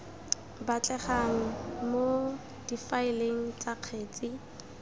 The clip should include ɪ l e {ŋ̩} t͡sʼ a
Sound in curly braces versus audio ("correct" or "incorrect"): correct